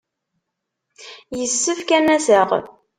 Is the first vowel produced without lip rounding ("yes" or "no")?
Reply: yes